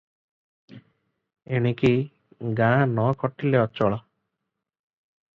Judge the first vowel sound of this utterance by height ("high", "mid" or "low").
mid